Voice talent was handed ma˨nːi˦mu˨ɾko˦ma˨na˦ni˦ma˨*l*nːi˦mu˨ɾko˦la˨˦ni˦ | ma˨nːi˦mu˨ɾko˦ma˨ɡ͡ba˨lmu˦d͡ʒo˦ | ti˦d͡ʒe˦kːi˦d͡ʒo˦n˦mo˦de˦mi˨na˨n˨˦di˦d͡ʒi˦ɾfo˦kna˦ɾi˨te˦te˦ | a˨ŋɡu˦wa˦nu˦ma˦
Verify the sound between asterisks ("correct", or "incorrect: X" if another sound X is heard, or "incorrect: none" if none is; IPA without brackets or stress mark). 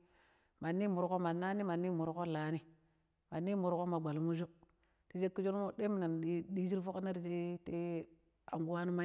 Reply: incorrect: none